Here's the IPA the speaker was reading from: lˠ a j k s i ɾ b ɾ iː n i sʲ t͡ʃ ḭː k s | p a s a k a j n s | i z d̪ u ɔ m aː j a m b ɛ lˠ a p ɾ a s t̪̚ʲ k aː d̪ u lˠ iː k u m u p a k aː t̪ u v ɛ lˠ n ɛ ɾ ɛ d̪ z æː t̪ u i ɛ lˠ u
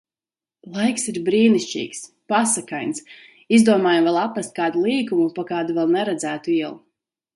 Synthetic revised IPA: lˠ a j k s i ɾ b ɾ iː n i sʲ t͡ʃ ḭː k s | p a s a k a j n s | i z d̪ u ɔ m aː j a m v ɛ lˠ a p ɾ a s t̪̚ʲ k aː d̪ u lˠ iː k u m u p a k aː d̪ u v ɛ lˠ n ɛ ɾ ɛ d̪ z æː t̪ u i ɛ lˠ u

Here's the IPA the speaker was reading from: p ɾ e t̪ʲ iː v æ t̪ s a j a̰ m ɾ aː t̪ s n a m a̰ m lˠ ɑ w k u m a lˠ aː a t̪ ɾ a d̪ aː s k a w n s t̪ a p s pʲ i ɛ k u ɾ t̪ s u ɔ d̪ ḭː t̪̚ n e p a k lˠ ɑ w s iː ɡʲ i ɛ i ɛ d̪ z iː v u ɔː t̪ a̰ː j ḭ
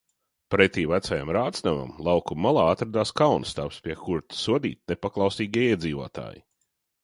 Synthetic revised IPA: p ɾ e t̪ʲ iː v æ t̪ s a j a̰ m ɾ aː t̪ s n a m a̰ m lˠ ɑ w k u m a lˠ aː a t̪ ɾ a d̪ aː s k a w n s t̪ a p s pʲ i ɛ k u ɾ t̪ s u ɔ d̪ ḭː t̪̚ n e p a k lˠ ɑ w s iː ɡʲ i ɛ i ɛ d̪ z iː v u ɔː t̪ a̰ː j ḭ

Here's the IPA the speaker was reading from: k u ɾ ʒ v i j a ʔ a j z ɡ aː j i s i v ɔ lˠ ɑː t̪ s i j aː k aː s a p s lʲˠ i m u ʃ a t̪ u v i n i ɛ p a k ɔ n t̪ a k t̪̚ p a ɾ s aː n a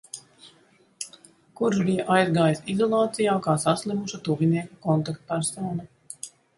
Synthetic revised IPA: k u ɾ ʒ b i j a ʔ a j z ɡ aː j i s i z ɔ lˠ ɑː t̪ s i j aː k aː s a s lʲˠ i m u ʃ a t̪ u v i n i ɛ k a k ɔ n t̪ a k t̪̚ p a ɾ s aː n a

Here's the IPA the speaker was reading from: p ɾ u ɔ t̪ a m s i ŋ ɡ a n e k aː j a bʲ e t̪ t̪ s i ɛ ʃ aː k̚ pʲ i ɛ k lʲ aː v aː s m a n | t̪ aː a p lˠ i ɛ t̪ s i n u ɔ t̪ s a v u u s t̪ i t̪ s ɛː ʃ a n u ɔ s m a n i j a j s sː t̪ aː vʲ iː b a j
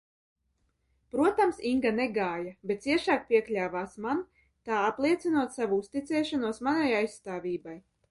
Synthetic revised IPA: p ɾ u ɔ t̪ a m s i ŋ ɡ a n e ɡ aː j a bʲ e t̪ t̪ s i ɛ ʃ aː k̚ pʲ i ɛ k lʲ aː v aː s m a n | t̪ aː a p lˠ i ɛ t̪ s i n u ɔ t̪ s a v u u s t̪ i t̪ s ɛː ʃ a n u ɔ s m a n a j a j s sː t̪ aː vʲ iː b a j

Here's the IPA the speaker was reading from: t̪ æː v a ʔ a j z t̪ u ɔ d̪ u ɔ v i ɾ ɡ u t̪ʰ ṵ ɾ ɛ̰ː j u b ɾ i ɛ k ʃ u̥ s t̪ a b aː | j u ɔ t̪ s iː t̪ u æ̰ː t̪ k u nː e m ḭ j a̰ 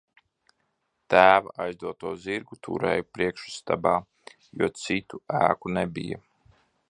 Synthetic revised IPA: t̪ æː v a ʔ a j z d̪ u ɔ t̪ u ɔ z i ɾ ɡ u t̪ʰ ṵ ɾ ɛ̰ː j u p ɾ i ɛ k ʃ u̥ s t̪ a b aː | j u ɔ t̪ s i t̪ u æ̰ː k u n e b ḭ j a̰

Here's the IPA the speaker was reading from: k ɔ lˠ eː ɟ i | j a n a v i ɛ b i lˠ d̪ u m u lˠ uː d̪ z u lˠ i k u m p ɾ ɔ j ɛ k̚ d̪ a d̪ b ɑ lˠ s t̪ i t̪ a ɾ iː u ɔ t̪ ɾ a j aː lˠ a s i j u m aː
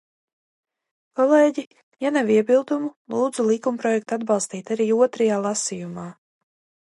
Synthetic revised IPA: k ɔ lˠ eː ɟ i | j a n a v i ɛ b i lˠ d̪ u m u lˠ uː d̪ z u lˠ i k u m p ɾ ɔ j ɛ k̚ t̪ a d̪ b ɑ lˠ s t̪ iː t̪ a ɾ iː u ɔ t̪ ɾ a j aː lˠ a s i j u m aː

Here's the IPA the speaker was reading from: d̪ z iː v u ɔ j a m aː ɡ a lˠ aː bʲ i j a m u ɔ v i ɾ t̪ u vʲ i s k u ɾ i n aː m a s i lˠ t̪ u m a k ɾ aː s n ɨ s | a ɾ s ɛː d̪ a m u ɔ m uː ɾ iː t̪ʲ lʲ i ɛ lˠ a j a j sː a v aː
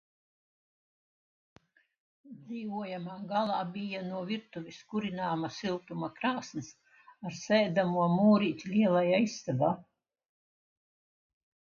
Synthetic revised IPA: d̪ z iː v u ɔ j a m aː ɡ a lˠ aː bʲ i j a n u ɔ v i ɾ t̪ u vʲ i s k u ɾ i n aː m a s i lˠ t̪ u m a k ɾ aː s n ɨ s | a ɾ s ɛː d̪ a m u ɔ m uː ɾ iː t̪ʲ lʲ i ɛ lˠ a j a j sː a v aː

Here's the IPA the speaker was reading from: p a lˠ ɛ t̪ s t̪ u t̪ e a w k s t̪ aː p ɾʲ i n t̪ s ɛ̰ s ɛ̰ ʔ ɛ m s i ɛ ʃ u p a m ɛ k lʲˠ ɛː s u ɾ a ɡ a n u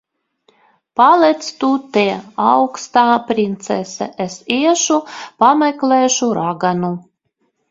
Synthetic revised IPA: p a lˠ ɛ t̪ s t̪ u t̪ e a w k s t̪ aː p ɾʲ i n t̪ s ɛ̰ s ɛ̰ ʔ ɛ s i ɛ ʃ u p a m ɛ k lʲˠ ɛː ʃ u ɾ a ɡ a n u

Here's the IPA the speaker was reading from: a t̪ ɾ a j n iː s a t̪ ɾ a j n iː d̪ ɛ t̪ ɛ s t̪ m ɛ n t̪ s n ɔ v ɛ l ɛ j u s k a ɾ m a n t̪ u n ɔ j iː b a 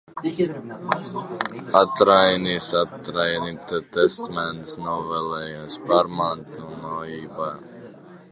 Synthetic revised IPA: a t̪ ɾ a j n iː s a t̪ ɾ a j n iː t̪ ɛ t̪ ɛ s t̪ m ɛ n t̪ s n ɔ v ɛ l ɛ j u s p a ɾ m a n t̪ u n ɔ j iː b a

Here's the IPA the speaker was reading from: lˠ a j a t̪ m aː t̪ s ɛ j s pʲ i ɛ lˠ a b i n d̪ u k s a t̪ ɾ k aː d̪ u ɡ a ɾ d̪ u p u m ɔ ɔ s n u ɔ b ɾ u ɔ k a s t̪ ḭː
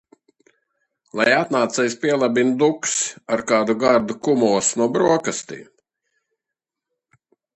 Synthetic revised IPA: lˠ a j a t̪ n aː t̪ s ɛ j s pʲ i ɛ lˠ a b i n d̪ u k s a ɾ k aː d̪ u ɡ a ɾ d̪ u k u m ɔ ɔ s n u ɔ b ɾ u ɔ k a s t̪ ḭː

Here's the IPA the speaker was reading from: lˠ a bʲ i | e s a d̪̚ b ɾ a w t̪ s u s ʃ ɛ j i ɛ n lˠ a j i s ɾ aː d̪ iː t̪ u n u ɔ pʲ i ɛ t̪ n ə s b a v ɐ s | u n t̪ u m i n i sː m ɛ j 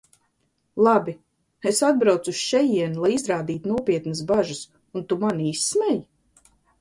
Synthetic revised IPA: lˠ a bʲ i | e s a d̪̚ b ɾ a w t̪ s u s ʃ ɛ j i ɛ n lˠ a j i z ɾ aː d̪ iː t̪ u n u ɔ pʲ i ɛ t̪ n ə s b a ʒ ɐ s | u n t̪ u m a n i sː m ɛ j

